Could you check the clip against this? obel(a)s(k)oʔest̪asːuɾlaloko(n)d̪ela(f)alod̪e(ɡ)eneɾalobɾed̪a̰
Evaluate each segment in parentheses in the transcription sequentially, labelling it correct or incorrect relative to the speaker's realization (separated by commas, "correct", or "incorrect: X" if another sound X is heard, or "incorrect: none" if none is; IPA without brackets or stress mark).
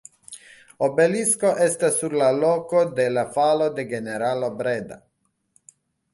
incorrect: i, correct, incorrect: none, correct, correct